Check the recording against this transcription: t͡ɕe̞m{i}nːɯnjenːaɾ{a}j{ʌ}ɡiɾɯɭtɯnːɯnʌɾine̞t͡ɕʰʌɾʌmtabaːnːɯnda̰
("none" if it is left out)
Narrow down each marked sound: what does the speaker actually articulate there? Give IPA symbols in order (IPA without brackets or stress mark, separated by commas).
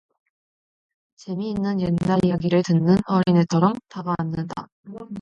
iː, i, a